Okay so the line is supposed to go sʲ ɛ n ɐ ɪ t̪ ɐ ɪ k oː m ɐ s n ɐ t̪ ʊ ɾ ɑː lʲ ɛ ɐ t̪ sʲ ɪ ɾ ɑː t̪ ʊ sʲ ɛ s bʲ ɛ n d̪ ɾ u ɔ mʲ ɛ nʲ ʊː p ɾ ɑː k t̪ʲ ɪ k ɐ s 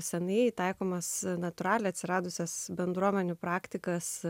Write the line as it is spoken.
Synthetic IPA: sʲ ɛ n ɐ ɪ t̪ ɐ ɪ k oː m ɐ s n ɐ t̪ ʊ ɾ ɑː lʲ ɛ ɐ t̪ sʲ ɪ ɾ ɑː d̪ ʊ sʲ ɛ s bʲ ɛ n d̪ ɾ u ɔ mʲ ɛ nʲ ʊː p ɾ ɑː k t̪ʲ ɪ k ɐ s